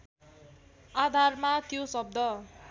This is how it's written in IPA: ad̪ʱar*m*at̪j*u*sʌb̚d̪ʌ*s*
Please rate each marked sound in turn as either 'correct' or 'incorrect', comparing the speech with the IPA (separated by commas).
correct, incorrect, incorrect